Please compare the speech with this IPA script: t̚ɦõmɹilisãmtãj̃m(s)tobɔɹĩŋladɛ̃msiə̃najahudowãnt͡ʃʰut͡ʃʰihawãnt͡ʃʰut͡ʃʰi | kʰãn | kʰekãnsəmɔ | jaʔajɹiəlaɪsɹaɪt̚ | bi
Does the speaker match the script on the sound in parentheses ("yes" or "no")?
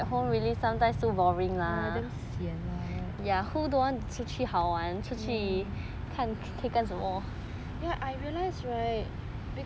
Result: yes